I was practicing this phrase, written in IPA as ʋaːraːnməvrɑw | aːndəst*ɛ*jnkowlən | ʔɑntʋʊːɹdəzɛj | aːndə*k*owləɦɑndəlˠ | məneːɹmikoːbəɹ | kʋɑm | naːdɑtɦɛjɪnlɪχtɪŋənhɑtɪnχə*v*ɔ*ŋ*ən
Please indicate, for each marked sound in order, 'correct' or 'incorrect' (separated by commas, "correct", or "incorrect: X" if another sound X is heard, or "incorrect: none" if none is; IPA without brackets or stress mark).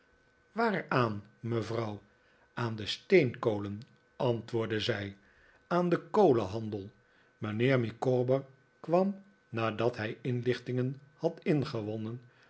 incorrect: e, correct, incorrect: ʋ, incorrect: n